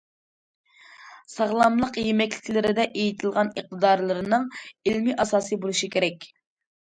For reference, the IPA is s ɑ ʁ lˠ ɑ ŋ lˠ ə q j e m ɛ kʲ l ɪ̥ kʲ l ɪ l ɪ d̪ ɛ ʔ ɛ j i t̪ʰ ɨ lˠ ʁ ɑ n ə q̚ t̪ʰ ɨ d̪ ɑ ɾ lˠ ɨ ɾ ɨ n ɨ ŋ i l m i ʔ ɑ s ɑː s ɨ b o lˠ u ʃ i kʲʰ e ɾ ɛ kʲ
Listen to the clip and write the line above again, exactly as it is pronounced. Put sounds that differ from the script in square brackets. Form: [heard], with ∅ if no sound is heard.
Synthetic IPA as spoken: s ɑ ʁ lˠ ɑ [m] lˠ ə q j e m ɛ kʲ l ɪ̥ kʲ l ɪ [ɾ] ɪ d̪ ɛ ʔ [e] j i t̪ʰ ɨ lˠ ʁ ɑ n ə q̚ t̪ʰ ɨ d̪ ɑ ɾ lˠ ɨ ɾ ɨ n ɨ ŋ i l m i ʔ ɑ s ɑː s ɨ b o lˠ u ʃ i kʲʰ e ɾ ɛ kʲ